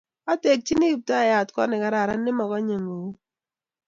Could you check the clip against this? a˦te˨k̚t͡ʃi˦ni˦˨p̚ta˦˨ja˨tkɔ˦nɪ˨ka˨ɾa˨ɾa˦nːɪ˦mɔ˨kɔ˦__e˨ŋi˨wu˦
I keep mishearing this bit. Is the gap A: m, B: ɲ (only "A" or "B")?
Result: B